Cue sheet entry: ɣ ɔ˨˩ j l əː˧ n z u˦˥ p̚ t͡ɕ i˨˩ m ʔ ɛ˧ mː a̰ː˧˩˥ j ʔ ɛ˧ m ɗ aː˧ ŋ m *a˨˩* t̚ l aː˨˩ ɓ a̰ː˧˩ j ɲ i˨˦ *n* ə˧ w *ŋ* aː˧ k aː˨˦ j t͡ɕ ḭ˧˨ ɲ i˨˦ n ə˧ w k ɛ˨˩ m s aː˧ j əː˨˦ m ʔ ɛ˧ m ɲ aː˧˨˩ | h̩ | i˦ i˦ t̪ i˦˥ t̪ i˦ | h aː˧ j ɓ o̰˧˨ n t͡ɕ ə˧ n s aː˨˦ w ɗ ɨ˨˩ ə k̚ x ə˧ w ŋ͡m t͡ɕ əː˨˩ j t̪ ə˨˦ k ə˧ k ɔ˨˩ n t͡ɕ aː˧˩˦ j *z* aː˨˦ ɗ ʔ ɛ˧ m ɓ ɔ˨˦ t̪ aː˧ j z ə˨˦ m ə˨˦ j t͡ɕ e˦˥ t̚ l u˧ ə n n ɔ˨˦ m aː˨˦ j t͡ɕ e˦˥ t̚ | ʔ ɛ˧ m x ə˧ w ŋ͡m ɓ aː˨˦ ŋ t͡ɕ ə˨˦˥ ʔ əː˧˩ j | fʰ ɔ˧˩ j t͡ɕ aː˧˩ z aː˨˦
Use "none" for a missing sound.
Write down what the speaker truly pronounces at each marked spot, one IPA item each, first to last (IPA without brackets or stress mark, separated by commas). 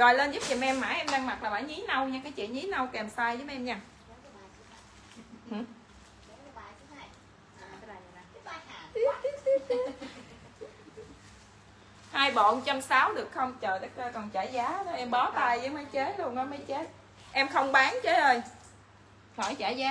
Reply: a˨˩, n, ɲ, z